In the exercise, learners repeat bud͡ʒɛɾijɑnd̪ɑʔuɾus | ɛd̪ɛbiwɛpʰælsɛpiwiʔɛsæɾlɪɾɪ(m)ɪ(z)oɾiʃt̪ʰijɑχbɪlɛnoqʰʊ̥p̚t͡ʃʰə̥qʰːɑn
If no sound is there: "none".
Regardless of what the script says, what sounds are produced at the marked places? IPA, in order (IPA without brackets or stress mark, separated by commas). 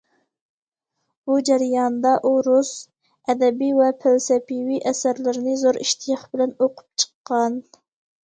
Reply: n, z